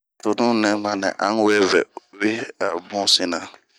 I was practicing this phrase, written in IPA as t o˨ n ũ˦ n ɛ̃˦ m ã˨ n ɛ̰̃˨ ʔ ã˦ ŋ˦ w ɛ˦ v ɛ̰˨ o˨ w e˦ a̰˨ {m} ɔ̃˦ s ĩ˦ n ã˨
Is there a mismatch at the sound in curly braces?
yes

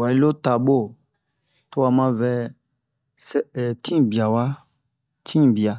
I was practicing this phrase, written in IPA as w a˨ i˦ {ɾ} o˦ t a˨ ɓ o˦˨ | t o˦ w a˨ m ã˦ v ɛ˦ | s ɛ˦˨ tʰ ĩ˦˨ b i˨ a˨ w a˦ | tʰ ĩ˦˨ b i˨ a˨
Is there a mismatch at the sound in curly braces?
yes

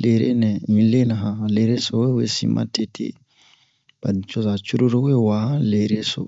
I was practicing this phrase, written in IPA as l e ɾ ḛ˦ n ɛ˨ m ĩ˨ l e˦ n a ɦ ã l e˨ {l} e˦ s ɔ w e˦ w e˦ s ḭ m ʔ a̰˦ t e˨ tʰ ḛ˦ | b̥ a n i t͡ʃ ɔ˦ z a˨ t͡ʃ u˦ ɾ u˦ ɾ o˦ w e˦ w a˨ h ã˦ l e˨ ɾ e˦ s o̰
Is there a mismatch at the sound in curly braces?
yes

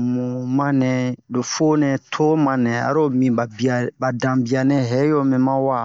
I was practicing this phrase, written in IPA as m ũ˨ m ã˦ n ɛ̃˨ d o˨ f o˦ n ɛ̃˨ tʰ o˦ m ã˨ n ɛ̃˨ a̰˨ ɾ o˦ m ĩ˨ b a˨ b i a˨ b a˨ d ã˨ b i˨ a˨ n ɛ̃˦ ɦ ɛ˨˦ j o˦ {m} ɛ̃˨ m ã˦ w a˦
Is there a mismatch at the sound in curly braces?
no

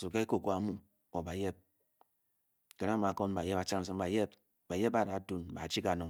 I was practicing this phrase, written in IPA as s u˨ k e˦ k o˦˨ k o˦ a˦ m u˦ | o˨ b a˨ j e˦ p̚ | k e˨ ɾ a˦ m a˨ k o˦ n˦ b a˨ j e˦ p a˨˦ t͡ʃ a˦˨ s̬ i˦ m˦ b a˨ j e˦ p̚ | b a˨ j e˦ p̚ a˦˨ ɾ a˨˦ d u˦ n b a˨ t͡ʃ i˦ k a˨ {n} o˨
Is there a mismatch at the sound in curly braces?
no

